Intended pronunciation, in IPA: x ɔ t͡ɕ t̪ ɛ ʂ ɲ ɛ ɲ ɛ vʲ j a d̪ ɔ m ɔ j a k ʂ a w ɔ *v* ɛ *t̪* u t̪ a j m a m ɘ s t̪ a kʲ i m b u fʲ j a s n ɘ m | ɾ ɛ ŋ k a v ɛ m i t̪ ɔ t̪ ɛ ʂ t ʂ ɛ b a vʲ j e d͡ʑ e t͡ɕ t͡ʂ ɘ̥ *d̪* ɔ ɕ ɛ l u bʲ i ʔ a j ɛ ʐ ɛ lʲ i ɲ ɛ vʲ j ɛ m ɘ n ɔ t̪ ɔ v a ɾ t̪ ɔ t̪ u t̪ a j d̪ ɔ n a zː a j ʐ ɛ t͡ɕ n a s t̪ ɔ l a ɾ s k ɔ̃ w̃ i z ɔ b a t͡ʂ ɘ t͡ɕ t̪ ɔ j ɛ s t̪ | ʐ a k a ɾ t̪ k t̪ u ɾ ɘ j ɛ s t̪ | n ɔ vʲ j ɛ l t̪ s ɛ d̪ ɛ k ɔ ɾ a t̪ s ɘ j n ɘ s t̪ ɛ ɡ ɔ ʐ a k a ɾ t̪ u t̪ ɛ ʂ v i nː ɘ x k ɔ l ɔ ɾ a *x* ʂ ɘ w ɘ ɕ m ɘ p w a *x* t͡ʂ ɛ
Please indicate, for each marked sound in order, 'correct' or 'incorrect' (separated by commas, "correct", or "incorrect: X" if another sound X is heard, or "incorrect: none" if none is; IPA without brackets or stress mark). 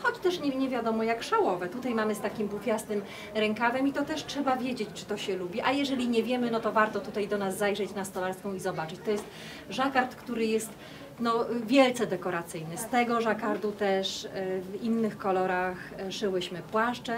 correct, correct, incorrect: t̪, correct, incorrect: ʂ